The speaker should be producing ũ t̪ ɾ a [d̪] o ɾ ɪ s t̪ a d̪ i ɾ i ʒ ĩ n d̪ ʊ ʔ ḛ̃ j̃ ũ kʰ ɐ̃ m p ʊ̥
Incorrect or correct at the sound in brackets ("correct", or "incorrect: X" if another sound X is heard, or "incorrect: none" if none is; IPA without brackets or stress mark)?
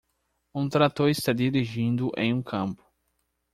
incorrect: t̪